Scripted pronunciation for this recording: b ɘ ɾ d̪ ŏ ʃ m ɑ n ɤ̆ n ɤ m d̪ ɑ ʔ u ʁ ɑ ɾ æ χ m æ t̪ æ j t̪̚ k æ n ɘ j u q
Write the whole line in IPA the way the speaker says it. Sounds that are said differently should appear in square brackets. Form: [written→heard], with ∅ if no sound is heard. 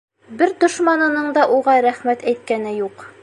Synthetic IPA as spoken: b ɘ ɾ d̪ ŏ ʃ m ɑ n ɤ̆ n ɤ [m→ɴ] d̪ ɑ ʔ u ʁ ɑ ɾ æ χ m æ t̪ æ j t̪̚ k æ n ɘ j u q